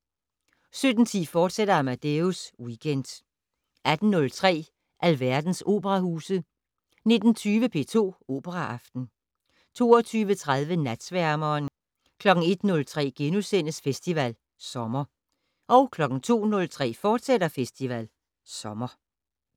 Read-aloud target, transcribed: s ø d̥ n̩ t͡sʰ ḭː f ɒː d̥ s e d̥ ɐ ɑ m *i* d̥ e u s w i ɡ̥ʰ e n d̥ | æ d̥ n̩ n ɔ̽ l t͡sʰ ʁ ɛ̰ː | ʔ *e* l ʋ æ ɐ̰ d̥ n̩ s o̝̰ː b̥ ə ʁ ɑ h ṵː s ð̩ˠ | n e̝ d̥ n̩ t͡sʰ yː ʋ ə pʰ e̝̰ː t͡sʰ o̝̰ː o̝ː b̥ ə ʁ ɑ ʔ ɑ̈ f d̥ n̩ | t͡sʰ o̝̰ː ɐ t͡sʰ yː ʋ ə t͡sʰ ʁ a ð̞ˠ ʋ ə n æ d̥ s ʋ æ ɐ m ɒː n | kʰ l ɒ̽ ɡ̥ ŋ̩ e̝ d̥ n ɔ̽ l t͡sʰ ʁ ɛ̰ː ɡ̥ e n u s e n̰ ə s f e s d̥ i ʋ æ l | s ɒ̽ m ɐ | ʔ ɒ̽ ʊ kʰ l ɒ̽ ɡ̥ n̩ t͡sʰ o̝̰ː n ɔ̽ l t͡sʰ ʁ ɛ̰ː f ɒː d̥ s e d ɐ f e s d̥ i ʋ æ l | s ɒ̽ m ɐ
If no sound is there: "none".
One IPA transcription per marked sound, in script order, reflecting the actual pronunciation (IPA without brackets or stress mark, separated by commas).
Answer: æ, æ